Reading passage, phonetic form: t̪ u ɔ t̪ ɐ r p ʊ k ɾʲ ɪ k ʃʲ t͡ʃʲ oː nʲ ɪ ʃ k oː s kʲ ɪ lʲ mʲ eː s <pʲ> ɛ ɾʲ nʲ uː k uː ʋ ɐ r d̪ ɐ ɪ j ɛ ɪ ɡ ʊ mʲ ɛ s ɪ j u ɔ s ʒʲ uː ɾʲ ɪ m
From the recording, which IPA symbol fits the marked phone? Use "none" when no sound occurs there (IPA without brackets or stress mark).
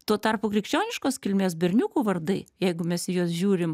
bʲ